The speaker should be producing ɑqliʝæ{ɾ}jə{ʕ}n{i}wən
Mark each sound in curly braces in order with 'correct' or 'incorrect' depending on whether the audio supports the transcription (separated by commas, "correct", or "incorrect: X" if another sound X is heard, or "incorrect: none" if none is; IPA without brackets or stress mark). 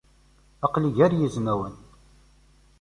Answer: correct, incorrect: z, incorrect: æ